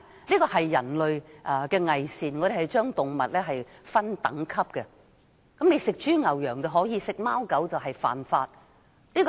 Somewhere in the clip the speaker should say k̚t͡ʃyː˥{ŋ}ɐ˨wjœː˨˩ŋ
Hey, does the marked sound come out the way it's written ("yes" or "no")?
yes